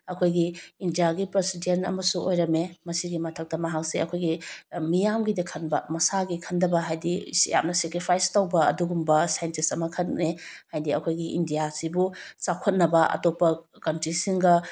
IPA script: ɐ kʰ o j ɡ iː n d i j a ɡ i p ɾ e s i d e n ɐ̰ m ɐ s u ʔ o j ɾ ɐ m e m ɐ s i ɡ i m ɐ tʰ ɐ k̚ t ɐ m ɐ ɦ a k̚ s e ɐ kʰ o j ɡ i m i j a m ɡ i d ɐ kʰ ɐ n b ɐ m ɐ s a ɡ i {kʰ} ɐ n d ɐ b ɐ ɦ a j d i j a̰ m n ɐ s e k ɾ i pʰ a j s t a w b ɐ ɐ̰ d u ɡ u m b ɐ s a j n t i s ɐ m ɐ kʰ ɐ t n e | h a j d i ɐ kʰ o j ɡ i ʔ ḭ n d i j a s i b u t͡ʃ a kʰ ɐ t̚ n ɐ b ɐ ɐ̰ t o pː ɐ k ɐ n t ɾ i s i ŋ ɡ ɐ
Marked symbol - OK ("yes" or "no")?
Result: yes